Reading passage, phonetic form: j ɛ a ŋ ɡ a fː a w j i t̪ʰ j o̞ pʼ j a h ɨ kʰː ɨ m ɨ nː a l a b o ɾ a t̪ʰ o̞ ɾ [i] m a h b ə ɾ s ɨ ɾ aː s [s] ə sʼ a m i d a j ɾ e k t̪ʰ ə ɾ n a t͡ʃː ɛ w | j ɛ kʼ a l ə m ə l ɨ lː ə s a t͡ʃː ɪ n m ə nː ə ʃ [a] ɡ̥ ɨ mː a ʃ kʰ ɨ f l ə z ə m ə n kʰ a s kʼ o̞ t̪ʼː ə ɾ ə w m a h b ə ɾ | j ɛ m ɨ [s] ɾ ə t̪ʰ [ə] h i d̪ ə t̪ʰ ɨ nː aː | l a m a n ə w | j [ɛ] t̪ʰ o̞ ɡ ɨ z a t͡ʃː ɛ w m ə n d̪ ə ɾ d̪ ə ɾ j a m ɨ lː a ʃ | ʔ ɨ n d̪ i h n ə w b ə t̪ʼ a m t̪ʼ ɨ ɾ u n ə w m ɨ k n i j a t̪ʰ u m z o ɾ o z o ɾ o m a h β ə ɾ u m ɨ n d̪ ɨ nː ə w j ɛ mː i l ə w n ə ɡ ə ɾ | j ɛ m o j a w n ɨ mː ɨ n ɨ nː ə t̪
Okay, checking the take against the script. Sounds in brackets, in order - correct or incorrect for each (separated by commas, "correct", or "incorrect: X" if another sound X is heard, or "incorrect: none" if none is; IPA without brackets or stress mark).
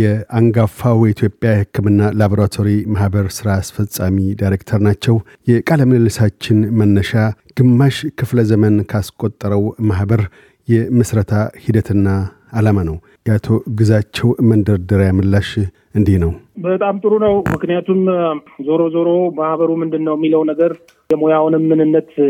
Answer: correct, incorrect: f, correct, correct, incorrect: a, incorrect: a